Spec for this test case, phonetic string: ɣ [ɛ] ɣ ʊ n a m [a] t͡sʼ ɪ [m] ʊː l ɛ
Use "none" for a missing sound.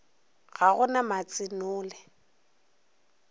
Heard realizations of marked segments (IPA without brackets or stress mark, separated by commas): a, a, n